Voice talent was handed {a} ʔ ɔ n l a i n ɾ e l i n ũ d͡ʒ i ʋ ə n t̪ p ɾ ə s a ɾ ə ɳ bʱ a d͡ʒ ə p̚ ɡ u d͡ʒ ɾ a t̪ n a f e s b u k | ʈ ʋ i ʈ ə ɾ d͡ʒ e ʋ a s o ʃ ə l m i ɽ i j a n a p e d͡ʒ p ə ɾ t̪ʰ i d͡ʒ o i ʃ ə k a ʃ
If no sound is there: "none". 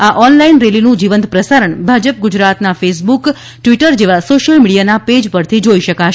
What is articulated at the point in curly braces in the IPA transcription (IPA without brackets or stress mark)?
a